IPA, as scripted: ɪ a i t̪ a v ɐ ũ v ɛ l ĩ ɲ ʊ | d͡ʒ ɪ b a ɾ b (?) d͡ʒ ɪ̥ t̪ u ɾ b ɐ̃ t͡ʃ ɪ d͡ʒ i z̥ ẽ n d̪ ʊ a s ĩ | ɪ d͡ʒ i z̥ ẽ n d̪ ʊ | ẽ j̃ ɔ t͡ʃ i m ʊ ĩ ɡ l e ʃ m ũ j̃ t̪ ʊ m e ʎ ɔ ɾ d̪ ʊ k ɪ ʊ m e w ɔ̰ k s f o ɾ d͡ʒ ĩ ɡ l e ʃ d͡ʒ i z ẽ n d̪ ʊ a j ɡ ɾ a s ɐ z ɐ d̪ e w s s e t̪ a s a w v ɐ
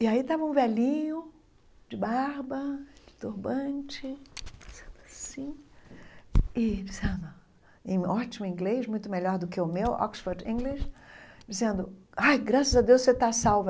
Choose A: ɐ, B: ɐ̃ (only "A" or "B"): A